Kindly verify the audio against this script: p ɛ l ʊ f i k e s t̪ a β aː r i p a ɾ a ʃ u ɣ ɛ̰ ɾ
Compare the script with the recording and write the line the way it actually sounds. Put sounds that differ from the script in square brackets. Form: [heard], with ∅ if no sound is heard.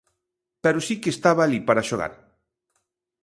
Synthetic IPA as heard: p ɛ [ɾ] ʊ [s] i k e s t̪ a β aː [l] i p a ɾ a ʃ [o] ɣ [a̰] ɾ